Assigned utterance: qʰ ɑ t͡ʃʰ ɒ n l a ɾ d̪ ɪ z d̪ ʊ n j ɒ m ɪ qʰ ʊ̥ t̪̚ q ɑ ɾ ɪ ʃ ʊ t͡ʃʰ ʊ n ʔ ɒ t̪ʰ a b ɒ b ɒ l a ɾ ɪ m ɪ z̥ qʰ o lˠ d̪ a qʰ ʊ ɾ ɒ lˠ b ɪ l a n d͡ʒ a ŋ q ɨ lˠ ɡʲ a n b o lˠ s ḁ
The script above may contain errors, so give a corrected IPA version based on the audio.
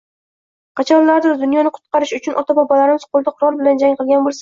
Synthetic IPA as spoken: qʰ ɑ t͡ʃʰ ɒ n l a ɾ d̪ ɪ z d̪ ʊ n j ɒ n ɪ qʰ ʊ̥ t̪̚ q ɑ ɾ ɪ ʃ ʊ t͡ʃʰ ʊ n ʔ ɒ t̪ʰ a b ɒ b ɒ l a ɾ ɪ m ɪ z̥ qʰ o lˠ d̪ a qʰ ʊ ɾ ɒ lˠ b ɪ l a n d͡ʒ a ŋ q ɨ lˠ ɡʲ a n b o lˠ s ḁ